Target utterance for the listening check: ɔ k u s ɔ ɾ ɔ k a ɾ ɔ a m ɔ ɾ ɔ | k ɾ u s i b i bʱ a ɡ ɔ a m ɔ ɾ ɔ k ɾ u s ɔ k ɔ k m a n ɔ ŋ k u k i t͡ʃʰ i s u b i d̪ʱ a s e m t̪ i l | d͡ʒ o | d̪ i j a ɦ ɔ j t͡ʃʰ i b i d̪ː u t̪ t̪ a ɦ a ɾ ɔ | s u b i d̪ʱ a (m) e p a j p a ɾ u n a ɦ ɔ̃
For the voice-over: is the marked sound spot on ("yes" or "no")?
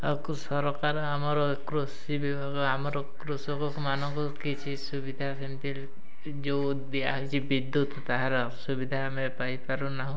yes